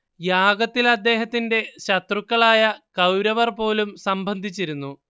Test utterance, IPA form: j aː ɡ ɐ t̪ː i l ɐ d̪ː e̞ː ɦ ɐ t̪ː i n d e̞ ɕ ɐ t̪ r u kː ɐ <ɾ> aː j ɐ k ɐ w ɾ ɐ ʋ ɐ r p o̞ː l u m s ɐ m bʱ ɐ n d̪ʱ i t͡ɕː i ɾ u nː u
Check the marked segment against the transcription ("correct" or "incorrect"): incorrect